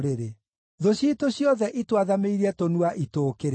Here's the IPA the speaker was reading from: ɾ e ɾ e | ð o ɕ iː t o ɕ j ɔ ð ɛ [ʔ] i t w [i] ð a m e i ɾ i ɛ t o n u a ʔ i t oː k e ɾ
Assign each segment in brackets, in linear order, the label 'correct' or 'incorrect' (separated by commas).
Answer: correct, incorrect